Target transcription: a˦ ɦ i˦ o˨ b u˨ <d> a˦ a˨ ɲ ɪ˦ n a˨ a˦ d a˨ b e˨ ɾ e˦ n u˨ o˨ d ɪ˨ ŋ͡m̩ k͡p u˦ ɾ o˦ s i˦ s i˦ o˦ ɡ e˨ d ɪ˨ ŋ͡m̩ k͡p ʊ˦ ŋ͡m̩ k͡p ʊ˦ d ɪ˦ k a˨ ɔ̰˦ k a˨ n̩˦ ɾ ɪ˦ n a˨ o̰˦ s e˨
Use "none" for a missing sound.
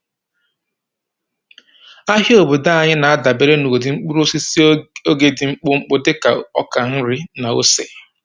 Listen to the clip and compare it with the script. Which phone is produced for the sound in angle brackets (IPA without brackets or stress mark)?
d